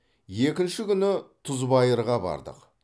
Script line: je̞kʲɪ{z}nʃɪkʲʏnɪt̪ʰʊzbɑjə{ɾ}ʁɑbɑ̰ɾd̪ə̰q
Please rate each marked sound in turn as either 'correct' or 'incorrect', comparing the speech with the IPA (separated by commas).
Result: incorrect, correct